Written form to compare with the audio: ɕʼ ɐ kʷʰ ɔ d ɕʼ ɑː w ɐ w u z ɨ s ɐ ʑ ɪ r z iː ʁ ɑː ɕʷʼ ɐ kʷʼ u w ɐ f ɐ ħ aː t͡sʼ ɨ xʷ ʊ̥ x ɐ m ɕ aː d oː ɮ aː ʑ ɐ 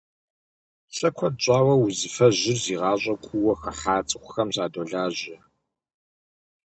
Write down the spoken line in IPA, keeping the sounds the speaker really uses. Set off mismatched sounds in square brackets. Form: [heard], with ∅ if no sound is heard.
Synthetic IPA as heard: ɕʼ ɐ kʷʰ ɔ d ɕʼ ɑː w ɐ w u z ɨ [f] ɐ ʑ ɪ r z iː ʁ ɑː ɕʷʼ ɐ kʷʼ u w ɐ [x] ɐ ħ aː t͡sʼ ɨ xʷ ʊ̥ x ɐ m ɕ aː d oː ɮ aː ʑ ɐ